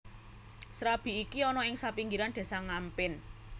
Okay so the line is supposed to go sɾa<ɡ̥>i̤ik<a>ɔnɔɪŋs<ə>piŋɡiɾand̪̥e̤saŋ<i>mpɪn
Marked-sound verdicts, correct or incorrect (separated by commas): incorrect, incorrect, incorrect, incorrect